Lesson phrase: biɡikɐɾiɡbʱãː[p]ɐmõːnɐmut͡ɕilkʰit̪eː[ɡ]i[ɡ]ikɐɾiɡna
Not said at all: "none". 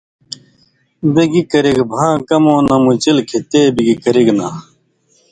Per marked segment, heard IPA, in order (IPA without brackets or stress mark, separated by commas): k, b, ɡ